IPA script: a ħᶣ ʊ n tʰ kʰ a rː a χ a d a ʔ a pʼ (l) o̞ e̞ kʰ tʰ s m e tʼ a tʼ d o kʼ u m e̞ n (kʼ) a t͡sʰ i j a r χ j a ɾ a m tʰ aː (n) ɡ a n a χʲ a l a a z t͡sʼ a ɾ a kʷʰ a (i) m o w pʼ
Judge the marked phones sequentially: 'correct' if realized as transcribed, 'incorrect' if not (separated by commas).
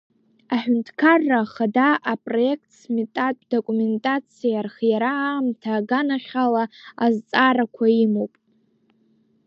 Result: incorrect, incorrect, incorrect, correct